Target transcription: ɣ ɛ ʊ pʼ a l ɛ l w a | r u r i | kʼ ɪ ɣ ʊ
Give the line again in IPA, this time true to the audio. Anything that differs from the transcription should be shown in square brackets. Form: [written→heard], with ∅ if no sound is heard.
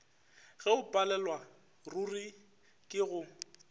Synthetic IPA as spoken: ɣ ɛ ʊ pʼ a l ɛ l w a | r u r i | kʼ ɪ ɣ ʊ